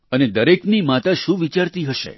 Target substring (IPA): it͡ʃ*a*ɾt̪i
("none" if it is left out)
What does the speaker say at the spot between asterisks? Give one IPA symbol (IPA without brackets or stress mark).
a